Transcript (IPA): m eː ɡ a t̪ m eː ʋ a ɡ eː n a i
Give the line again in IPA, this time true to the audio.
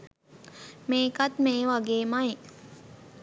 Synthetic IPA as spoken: m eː k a t̪ m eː ʋ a ɡ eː m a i